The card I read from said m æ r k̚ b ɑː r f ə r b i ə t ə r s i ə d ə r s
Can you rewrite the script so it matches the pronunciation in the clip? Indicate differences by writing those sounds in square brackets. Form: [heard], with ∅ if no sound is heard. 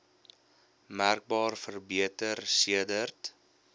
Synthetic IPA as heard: m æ r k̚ b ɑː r f ə r b i ə t ə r s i ə d ə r [t]